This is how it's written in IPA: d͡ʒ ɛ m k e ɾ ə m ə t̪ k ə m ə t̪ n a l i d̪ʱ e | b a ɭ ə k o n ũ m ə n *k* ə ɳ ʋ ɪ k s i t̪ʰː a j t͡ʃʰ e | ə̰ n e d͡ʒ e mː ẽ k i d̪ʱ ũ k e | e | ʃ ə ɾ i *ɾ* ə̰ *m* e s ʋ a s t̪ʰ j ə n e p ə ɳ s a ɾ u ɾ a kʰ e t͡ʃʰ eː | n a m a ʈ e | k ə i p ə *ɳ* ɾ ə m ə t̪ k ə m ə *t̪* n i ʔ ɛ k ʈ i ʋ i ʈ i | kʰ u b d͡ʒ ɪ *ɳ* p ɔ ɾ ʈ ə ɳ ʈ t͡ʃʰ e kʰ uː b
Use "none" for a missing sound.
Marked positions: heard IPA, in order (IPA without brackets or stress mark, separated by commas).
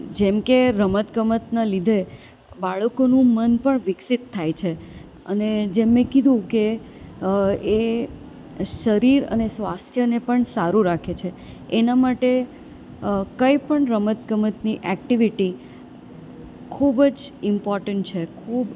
p, ɾ, n, ɳ, t̪, m